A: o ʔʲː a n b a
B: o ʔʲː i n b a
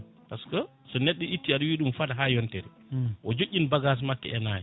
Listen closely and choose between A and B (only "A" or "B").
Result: B